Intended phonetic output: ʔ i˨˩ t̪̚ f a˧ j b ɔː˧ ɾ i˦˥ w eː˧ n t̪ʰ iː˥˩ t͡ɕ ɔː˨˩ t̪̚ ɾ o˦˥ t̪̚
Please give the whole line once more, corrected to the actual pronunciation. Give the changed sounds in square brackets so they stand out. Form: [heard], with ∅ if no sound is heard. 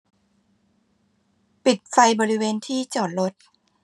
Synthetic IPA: [p] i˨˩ t̪̚ f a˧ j b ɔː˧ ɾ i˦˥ w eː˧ n t̪ʰ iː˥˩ t͡ɕ ɔː˨˩ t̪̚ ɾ o˦˥ t̪̚